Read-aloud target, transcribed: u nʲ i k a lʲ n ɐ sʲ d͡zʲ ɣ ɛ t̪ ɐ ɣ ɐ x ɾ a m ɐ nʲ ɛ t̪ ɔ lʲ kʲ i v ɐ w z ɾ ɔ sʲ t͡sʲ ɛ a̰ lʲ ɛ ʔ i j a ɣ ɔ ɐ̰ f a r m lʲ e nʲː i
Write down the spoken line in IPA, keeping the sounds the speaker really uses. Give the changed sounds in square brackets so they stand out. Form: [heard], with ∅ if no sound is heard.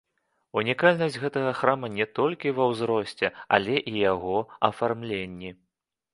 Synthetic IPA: u nʲ i k a lʲ n ɐ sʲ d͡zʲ ɣ ɛ t̪ ɐ ɣ ɐ x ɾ a m ɐ nʲ ɛ t̪ ɔ lʲ kʲ i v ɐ w z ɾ ɔ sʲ t͡sʲ ɛ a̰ lʲ ɛ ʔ i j a ɣ ɔ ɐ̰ f a r m lʲ e nʲː i